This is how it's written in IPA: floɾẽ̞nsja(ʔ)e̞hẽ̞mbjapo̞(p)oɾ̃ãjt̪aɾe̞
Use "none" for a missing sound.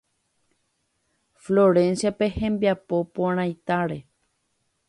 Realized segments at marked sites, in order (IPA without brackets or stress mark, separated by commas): p, p